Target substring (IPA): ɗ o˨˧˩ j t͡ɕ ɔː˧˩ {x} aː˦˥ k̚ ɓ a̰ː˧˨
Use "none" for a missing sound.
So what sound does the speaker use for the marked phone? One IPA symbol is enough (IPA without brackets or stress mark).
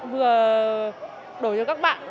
k